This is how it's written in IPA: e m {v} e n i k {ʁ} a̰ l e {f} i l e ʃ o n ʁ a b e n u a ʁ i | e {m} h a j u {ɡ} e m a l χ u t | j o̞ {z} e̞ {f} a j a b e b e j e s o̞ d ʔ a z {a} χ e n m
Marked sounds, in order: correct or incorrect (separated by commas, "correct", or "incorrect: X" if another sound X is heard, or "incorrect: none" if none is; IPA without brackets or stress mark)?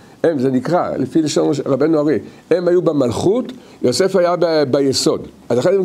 incorrect: z, correct, correct, correct, incorrect: b, incorrect: s, correct, correct